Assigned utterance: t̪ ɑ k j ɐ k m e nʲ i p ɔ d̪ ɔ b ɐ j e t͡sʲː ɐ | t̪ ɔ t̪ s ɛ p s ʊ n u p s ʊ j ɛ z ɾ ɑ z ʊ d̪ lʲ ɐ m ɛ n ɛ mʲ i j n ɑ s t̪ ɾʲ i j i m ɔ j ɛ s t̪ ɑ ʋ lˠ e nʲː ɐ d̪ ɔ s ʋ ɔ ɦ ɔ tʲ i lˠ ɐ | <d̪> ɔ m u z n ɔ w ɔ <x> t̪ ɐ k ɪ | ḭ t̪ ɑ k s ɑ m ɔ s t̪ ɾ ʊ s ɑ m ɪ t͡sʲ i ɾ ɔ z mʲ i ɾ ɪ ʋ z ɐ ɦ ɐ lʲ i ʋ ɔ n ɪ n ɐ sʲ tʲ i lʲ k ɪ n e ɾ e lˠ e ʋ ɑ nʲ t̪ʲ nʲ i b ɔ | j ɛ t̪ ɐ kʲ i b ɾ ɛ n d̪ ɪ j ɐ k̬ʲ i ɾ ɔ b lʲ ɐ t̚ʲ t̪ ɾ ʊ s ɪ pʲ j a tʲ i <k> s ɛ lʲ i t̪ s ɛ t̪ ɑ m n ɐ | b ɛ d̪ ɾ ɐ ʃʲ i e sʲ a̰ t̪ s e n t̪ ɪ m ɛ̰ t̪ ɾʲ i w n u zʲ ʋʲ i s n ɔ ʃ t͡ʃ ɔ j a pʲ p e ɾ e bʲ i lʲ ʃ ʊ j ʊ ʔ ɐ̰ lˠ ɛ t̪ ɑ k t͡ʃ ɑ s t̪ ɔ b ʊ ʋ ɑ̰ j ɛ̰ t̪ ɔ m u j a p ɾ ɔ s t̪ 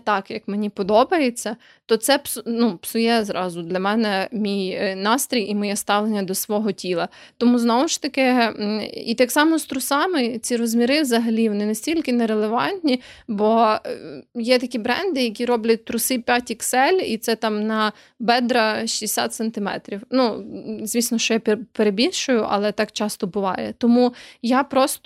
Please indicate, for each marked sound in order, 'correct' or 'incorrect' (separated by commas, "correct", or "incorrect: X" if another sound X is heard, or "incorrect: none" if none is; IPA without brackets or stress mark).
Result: incorrect: t̪, incorrect: ʃ, correct